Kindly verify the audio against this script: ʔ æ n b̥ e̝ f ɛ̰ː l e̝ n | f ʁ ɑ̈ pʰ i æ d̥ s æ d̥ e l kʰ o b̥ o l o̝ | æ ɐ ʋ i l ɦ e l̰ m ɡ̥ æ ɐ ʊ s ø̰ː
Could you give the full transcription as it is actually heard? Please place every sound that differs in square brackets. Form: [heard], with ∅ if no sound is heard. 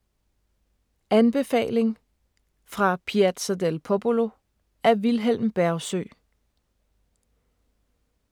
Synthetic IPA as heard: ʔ æ n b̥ e̝ f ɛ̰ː l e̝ [ŋ] | f ʁ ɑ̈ pʰ i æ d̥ s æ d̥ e l [pʰ] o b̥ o l o̝ | æ ɐ ʋ i l ɦ e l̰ m [b̥] æ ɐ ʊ s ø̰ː